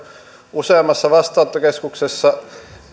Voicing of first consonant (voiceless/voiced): voiceless